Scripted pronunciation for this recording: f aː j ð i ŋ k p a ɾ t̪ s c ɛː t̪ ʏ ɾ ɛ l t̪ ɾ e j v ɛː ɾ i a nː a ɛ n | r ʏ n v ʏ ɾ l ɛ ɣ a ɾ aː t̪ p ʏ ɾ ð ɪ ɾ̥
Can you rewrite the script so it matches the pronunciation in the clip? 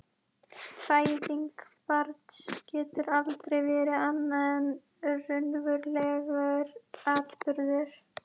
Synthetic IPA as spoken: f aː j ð i ŋ k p a ɾ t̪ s c ɛː t̪ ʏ ɾ a l t̪ ɾ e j v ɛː ɾ ɪ a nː a ɛ n | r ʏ n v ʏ ɾ l ɛ ɣ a ɾ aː t̪ p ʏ ɾ ð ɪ ɾ̥